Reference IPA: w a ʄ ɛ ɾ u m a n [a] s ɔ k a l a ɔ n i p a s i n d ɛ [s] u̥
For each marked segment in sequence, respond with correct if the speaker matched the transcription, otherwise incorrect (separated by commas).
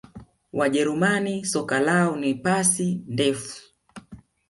incorrect, incorrect